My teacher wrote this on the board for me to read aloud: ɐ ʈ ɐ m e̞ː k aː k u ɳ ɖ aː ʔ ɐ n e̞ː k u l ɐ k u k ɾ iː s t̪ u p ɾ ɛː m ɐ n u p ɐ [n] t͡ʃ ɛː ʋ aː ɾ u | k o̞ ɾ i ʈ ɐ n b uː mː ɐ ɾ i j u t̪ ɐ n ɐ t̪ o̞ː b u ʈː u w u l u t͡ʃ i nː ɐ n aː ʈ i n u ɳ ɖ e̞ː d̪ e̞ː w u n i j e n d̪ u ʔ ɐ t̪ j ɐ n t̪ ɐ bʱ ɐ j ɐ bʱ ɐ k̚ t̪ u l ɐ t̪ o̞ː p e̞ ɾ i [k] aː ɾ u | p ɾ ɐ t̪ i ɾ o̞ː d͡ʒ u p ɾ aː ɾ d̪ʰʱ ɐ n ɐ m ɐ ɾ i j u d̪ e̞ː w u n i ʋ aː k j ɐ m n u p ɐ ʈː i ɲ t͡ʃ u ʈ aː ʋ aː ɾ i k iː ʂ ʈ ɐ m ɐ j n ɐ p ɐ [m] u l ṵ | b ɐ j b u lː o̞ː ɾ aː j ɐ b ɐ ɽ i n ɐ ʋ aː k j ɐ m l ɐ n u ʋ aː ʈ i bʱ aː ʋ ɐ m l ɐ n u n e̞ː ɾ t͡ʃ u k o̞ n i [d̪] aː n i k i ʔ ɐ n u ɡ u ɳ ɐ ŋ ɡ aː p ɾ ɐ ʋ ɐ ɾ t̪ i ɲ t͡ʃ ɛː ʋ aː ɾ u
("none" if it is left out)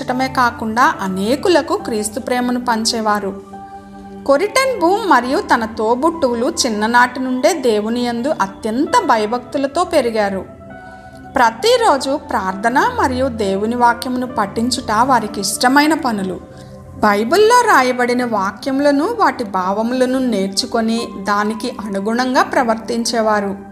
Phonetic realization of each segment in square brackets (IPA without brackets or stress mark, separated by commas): ɲ, ɡ, n, d̪